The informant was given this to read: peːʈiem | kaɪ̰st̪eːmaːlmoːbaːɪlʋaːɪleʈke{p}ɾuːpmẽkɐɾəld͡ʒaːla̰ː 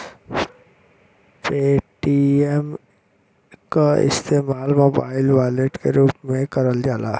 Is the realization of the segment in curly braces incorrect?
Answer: yes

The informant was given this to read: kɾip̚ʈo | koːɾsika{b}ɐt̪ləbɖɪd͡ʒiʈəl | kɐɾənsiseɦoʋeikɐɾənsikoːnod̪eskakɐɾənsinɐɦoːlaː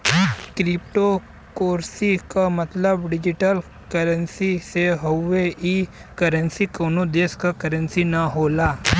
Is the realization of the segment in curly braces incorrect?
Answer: yes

